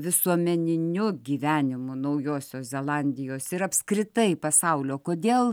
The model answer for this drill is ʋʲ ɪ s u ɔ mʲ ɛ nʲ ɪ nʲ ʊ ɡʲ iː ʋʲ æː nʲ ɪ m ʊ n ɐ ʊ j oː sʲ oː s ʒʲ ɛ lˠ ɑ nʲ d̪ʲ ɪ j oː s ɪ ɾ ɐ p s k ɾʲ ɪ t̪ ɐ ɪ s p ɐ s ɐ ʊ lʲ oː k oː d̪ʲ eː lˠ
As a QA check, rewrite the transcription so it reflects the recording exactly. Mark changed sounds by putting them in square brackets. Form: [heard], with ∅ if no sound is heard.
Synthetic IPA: ʋʲ ɪ s u ɔ mʲ ɛ nʲ ɪ nʲ ʊ ɡʲ iː ʋʲ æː nʲ ɪ m ʊ n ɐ ʊ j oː sʲ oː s [zʲ] ɛ lˠ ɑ nʲ d̪ʲ ɪ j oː s ɪ ɾ ɐ p s k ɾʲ ɪ t̪ ɐ ɪ [∅] p ɐ s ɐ ʊ lʲ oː k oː d̪ʲ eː lˠ